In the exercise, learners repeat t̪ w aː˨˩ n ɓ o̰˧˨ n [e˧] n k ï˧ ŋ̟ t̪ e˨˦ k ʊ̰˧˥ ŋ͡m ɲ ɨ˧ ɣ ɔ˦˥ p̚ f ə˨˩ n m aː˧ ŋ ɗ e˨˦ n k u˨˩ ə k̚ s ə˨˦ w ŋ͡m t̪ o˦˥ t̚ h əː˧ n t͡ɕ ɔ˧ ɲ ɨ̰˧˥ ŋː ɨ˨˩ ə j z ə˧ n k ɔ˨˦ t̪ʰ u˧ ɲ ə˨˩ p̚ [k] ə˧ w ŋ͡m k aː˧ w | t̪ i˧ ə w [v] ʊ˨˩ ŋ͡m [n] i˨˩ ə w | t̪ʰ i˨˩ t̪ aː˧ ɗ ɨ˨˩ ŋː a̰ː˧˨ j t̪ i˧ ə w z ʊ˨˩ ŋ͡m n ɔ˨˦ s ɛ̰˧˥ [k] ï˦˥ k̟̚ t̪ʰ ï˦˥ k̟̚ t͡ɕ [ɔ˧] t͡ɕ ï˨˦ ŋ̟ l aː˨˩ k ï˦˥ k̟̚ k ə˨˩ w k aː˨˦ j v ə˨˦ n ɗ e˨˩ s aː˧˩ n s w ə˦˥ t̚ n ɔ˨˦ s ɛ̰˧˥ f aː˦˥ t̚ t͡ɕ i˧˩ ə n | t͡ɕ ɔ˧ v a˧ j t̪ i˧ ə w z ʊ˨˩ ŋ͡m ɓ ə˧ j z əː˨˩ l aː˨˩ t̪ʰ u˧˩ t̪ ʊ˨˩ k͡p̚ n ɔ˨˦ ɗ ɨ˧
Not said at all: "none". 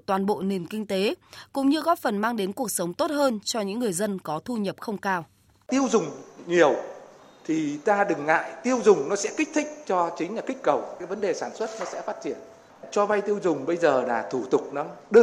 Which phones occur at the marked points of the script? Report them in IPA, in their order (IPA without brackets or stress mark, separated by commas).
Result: e˨˩, x, z, ɲ, k, ɔ˧